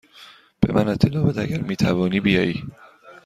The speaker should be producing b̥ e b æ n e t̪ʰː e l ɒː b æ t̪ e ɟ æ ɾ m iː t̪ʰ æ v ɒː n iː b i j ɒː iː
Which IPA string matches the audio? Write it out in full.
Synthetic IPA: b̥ e m æ n e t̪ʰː e l ɒː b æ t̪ æ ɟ æ ɾ m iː t̪ʰ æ v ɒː n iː b i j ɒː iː